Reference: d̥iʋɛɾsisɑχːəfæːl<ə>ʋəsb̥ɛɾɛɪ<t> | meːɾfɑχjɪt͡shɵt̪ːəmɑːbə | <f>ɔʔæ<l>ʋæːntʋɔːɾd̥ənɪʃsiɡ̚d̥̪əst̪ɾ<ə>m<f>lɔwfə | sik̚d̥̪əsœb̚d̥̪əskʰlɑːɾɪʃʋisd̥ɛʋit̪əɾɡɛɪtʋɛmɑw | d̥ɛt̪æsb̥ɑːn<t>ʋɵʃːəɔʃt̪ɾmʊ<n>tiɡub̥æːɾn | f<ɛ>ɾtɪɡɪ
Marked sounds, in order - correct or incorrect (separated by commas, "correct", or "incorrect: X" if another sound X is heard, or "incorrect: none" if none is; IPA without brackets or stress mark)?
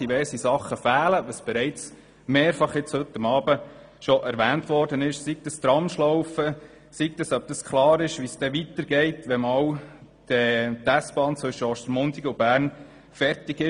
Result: correct, incorrect: t͡s, incorrect: ʃ, incorrect: ɾ, incorrect: ɑ, incorrect: ʃ, incorrect: t͡s, correct, correct